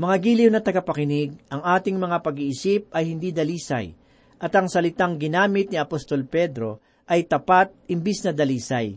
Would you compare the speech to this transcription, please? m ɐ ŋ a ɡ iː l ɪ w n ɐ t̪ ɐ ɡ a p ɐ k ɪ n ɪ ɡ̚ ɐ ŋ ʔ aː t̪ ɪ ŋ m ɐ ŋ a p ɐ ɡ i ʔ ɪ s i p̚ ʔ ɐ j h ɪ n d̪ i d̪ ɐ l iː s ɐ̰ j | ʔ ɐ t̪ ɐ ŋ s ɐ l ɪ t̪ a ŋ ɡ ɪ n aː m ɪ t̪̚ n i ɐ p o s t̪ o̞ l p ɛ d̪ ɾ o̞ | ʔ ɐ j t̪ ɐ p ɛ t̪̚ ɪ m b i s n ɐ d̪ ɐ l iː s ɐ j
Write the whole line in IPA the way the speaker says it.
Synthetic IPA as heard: m ɐ ŋ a ɡ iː l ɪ w n ɐ t̪ ɐ ɡ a p ɐ k ɪ n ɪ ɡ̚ ɐ ŋ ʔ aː t̪ ɪ ŋ m ɐ ŋ a p ɐ ɡ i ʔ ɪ s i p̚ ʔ ɐ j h ɪ n d̪ i d̪ ɐ l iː s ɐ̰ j | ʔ ɐ t̪ ɐ ŋ s ɐ l ɪ t̪ a ŋ ɡ ɪ n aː m ɪ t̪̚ n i ɐ p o s t̪ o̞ l p ɛ d̪ ɾ o̞ | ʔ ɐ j t̪ ɐ p a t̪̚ ɪ m b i s n ɐ d̪ ɐ l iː s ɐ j